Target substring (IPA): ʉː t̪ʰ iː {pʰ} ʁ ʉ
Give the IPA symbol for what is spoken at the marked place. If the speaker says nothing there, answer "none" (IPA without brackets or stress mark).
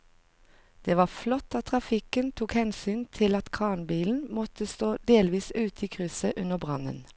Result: kʰ